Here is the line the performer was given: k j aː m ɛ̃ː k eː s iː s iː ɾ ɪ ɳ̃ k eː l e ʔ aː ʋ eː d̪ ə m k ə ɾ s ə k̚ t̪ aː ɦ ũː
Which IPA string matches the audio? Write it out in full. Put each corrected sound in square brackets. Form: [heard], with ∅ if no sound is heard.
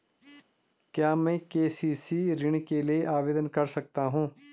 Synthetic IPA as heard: k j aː m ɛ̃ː k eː s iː s iː ɾ ɪ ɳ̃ k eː l e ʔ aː ʋ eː d̪ ə [n] k ə ɾ s ə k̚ t̪ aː ɦ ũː